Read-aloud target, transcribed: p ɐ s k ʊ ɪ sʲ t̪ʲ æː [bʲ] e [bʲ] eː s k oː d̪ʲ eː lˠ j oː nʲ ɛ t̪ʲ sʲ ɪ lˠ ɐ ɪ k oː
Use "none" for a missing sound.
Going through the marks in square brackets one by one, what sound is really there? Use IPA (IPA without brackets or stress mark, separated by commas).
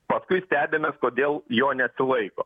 bʲ, mʲ